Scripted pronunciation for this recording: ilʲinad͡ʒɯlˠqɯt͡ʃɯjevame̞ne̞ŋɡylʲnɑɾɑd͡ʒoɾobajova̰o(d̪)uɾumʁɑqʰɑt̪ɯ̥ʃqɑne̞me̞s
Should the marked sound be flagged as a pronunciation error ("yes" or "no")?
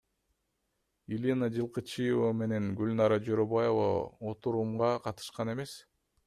yes